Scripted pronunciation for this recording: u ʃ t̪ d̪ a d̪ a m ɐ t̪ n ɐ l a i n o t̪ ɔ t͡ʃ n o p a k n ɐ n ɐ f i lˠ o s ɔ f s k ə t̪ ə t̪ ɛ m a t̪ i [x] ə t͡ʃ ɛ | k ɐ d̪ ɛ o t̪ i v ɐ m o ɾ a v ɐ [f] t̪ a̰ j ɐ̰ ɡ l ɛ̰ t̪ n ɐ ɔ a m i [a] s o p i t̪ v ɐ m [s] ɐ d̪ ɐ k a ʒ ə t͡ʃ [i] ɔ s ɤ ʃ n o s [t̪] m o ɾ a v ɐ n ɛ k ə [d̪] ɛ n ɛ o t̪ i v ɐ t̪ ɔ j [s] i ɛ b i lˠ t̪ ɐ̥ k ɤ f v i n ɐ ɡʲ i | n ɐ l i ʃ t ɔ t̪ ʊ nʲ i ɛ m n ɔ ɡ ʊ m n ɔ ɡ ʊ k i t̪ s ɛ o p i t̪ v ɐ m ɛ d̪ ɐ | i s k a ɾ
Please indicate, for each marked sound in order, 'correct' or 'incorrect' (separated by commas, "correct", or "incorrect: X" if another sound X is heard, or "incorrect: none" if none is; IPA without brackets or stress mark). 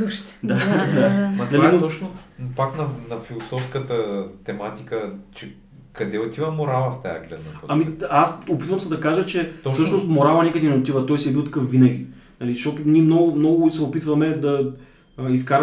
incorrect: k, correct, correct, correct, incorrect: ɛ, correct, correct, correct